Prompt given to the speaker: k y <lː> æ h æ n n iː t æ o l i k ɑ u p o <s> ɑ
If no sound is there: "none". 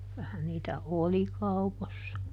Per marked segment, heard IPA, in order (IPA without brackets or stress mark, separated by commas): l, sː